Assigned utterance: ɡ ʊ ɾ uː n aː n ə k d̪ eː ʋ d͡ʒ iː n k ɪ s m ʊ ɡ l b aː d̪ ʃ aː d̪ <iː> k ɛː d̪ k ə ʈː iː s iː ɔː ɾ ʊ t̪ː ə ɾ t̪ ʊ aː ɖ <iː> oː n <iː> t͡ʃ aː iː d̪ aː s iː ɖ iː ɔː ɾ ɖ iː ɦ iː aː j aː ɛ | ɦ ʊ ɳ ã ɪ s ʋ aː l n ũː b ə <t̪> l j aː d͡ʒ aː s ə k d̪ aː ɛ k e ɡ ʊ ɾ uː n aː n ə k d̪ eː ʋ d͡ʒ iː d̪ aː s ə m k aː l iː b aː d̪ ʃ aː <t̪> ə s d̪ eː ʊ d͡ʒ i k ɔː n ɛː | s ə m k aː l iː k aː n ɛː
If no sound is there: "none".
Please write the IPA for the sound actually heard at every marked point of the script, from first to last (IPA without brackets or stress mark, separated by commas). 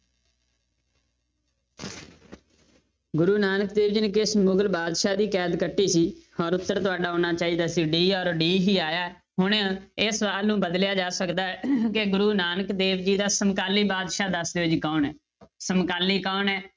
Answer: iː, aː, aː, d̪, d̪